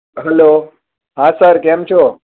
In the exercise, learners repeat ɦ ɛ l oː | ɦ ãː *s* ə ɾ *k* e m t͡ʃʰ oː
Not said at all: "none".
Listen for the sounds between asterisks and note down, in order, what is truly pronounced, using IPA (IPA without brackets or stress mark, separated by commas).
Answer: s, k